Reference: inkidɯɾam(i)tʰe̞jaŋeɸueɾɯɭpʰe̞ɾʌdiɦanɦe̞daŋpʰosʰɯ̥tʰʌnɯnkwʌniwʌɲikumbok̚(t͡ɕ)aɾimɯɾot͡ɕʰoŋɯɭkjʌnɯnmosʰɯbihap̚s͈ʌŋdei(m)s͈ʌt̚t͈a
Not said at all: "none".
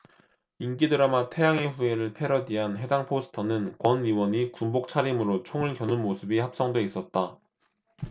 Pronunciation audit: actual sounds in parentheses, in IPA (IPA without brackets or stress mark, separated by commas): a, t͡ɕʰ, none